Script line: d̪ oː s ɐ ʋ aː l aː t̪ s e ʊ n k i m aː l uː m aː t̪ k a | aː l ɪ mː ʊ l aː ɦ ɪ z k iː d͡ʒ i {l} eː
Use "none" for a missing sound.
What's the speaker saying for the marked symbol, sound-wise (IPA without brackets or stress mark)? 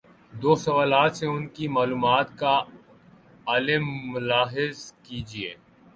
none